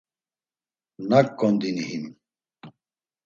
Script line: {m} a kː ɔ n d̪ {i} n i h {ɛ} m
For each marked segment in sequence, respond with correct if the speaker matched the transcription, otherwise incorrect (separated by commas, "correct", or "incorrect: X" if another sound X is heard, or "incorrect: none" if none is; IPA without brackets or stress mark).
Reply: incorrect: n, correct, incorrect: i